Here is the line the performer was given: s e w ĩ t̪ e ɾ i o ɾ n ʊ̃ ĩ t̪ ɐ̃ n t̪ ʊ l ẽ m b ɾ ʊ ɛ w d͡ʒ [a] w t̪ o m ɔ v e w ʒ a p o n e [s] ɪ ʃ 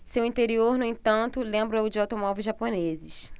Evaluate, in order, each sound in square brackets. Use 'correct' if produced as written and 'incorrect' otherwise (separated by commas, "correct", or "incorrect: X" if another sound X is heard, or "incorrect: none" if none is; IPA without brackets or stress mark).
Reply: correct, incorrect: z